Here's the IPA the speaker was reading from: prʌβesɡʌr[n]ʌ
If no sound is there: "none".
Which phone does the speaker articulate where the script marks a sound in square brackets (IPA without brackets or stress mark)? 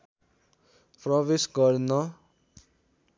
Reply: n